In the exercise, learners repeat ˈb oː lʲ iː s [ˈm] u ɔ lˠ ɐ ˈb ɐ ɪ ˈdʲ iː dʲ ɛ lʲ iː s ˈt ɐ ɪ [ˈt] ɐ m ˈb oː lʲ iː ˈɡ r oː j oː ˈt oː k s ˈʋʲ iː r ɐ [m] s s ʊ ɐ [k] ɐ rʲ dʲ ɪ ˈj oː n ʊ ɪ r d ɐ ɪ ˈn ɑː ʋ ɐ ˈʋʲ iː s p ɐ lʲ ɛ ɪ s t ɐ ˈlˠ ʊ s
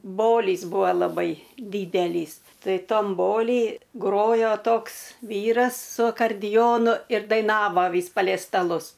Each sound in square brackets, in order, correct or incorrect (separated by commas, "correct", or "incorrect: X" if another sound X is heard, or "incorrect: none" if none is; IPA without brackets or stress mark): incorrect: b, correct, incorrect: none, correct